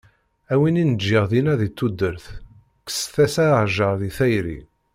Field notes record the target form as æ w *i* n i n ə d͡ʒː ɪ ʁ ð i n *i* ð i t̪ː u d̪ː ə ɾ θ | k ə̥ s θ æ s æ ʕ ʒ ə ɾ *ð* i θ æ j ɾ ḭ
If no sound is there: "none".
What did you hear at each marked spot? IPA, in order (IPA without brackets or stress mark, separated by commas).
i, æ, ð